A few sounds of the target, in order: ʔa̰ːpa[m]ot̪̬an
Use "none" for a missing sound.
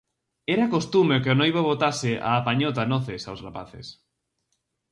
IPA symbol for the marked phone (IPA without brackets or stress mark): ɲ